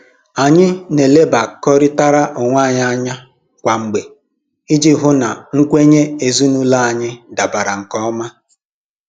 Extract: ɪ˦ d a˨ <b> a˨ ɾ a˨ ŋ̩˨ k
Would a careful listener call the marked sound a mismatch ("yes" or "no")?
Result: no